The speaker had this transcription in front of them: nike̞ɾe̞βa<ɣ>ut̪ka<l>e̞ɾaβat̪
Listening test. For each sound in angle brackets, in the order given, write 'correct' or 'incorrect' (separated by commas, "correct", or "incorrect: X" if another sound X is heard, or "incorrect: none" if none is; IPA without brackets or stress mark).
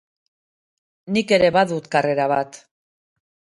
incorrect: ð, incorrect: r